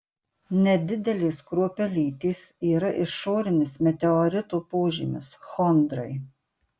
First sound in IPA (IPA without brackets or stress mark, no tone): nʲ